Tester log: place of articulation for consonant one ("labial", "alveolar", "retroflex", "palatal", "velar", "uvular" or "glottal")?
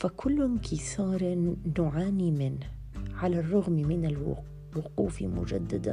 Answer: labial